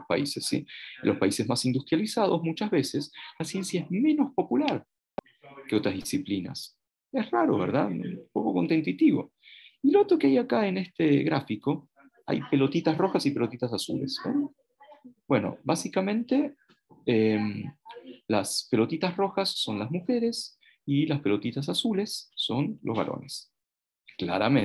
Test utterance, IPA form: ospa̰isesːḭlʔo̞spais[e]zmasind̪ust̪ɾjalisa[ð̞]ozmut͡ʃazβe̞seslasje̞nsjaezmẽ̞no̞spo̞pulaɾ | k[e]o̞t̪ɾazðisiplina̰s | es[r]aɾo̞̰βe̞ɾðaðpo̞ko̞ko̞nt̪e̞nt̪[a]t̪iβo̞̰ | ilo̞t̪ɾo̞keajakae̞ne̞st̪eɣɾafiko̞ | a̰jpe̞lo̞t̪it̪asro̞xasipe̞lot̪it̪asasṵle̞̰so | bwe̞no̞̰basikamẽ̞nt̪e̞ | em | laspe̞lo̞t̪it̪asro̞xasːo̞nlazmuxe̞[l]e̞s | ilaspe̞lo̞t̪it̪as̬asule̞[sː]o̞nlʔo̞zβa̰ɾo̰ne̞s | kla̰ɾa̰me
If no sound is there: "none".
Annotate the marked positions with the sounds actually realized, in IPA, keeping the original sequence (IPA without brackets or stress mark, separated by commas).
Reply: e, ð̞, e, r, i, ɾ, sː